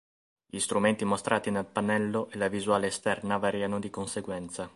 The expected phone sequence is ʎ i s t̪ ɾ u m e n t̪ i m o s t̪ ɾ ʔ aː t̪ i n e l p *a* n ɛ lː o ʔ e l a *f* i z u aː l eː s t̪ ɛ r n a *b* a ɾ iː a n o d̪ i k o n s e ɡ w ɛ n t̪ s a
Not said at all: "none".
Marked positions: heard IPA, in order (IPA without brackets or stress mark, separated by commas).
a, v, v